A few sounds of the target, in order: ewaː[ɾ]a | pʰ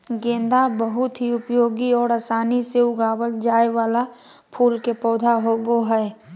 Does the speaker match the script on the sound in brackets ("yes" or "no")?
no